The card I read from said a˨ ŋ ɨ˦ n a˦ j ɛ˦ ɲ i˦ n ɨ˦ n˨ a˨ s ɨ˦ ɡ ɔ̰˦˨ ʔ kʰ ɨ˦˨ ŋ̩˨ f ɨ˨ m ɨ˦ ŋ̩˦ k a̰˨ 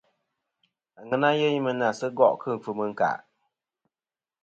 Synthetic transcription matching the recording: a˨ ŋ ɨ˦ n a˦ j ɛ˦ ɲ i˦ m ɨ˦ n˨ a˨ s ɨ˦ ɡ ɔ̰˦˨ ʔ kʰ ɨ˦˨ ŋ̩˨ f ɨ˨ m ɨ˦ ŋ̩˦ k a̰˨